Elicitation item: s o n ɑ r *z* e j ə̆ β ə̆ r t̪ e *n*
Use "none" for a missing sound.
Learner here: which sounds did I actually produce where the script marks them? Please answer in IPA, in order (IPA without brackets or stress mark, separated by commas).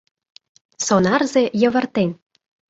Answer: z, n